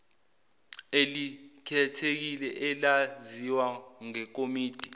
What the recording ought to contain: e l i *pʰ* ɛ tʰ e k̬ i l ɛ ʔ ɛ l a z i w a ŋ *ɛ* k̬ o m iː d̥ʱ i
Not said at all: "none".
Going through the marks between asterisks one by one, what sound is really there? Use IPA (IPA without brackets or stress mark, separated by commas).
kʰ, ɛ